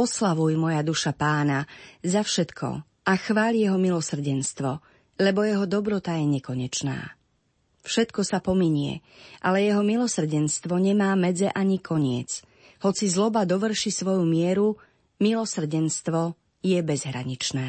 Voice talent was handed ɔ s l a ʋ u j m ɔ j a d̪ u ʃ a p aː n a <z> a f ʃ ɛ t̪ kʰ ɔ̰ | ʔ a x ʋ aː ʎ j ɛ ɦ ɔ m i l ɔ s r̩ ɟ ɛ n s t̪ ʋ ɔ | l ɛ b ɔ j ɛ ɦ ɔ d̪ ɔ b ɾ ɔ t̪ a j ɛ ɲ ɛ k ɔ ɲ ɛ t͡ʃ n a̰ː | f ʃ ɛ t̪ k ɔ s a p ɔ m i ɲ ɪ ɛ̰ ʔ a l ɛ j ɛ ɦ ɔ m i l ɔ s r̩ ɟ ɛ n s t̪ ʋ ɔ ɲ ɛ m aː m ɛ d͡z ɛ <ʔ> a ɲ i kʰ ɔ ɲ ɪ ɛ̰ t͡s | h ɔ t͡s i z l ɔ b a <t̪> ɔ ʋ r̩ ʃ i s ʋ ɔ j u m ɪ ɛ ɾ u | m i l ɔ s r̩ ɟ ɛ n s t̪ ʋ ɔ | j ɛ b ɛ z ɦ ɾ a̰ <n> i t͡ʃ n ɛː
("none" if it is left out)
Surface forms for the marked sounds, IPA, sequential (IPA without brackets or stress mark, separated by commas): z, ʔ, d̪, ɲ